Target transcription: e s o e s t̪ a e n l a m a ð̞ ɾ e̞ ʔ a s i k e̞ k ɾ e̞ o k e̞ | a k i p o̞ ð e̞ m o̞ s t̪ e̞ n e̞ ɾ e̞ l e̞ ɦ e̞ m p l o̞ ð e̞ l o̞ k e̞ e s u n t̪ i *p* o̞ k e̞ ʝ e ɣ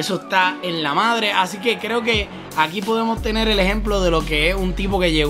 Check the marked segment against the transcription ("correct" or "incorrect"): correct